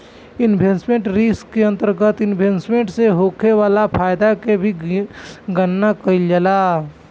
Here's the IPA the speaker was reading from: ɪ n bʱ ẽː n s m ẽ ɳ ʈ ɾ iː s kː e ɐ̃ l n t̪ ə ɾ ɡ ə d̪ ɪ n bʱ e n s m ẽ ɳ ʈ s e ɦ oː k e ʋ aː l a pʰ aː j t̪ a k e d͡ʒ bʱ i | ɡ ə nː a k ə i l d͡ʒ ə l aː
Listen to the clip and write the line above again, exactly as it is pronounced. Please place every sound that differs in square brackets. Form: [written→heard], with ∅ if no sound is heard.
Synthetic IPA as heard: ɪ n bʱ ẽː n s m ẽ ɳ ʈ ɾ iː s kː e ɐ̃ [l→∅] n t̪ ə ɾ ɡ ə [d̪→t̪] ɪ n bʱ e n s m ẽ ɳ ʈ s e ɦ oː k e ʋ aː l a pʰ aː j [t̪→d̪] a k e [d͡ʒ→∅] bʱ i | ɡ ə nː a k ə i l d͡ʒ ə l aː